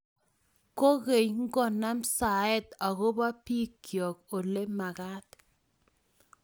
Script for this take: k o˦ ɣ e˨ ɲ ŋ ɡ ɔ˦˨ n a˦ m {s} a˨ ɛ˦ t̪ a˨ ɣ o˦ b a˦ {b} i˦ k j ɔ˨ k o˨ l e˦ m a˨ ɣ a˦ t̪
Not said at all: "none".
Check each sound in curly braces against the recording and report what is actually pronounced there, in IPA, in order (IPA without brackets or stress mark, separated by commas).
s, p